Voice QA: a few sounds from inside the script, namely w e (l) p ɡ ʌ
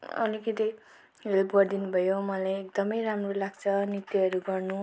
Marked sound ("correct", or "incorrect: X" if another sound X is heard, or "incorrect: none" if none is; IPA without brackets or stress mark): correct